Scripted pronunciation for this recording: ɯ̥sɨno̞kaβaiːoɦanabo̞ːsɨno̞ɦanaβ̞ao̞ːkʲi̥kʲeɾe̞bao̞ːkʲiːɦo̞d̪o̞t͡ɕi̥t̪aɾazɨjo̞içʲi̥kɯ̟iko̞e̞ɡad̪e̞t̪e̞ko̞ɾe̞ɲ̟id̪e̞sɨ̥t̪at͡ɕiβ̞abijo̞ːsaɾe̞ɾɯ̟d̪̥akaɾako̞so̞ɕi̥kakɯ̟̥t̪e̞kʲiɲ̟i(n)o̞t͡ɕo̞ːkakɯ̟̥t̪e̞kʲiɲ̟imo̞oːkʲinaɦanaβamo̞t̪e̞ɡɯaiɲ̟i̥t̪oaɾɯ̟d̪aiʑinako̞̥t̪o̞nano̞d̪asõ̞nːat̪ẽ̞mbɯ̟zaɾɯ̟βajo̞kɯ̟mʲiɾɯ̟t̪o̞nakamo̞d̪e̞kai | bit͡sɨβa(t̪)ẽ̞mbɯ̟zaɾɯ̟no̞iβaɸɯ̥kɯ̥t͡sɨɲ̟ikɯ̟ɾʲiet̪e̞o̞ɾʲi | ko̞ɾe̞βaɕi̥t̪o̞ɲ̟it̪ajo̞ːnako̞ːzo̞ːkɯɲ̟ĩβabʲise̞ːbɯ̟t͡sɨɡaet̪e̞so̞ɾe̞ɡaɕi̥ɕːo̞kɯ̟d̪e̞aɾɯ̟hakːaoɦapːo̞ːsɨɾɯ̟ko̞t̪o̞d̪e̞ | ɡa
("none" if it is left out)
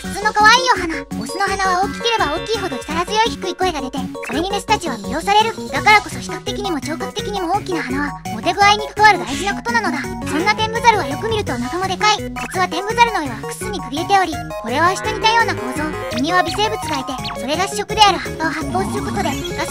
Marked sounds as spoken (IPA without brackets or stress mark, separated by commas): m, t̪